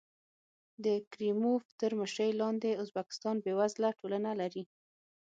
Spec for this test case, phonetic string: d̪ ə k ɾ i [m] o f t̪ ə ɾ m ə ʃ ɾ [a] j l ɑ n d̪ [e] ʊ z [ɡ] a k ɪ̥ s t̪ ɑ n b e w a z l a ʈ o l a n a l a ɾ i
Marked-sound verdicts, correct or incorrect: correct, incorrect, correct, incorrect

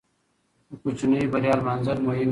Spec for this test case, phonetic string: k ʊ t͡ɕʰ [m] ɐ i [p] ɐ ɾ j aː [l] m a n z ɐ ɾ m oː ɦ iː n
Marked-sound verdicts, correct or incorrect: incorrect, incorrect, correct

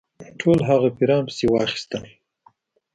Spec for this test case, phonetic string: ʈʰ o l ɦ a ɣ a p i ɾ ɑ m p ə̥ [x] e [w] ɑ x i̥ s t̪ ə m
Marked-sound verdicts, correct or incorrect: incorrect, correct

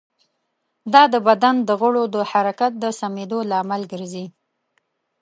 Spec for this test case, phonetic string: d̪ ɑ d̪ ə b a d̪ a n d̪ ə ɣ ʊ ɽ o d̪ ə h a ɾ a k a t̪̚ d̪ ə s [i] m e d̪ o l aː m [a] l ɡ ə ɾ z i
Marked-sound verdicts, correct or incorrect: incorrect, correct

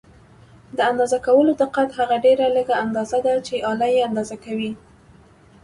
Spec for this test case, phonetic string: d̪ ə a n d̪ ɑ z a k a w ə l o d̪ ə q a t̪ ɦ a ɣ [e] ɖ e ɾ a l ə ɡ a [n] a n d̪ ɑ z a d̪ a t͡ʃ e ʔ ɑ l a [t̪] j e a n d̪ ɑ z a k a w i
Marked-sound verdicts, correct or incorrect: incorrect, incorrect, incorrect

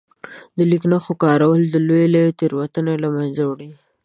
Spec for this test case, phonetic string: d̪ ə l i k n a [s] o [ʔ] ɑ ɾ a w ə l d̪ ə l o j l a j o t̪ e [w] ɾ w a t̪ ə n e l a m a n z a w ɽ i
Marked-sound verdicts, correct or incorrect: incorrect, incorrect, incorrect

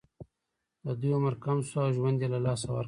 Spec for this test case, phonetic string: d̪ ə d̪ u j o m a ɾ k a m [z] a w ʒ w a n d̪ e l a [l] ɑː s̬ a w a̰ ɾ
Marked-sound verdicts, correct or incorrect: incorrect, correct

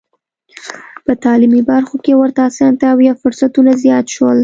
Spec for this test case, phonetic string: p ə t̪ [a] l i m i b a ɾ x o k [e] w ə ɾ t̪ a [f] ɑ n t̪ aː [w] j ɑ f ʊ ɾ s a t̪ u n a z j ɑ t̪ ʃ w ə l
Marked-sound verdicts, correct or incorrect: incorrect, correct, incorrect, correct

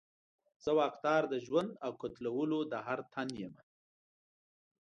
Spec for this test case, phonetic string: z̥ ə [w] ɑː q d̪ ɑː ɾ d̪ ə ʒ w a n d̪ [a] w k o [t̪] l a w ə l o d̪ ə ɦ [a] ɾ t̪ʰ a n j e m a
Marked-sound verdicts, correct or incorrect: correct, correct, correct, correct

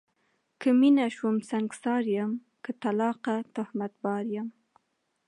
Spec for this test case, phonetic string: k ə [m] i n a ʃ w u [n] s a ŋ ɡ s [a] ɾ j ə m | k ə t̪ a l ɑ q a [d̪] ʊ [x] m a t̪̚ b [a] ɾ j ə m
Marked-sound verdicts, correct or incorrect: correct, incorrect, incorrect, incorrect, incorrect, incorrect

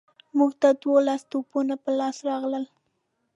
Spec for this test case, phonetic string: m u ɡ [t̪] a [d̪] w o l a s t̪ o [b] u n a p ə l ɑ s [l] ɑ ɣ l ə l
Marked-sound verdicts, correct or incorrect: correct, correct, incorrect, incorrect

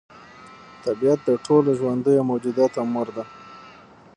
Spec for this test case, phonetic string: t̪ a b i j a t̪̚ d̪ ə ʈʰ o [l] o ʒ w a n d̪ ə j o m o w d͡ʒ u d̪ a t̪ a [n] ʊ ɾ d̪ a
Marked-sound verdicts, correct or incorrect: correct, incorrect

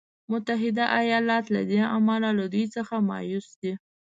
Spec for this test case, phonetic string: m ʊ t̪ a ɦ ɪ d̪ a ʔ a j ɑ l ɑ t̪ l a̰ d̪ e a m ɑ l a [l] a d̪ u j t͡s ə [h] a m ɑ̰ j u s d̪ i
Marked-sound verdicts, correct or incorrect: correct, incorrect

